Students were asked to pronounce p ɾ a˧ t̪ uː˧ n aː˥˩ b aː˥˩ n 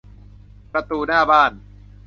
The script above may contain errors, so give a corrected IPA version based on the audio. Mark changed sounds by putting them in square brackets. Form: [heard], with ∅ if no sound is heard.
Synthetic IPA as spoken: p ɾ a˧ t̪ uː˧ n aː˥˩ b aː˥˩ n